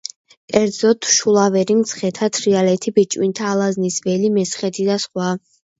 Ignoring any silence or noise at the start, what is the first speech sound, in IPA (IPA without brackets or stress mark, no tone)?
kʼ